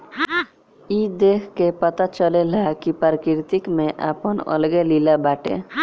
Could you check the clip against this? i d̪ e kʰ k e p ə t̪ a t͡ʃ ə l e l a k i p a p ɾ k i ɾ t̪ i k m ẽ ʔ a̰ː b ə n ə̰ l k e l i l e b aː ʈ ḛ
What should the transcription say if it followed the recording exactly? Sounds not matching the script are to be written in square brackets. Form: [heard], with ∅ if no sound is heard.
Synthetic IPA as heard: i d̪ e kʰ k e p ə t̪ a t͡ʃ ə l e l a k i p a [∅] ɾ k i ɾ t̪ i k m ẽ ʔ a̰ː [p] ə n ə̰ l [ɡ] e l i l [a] b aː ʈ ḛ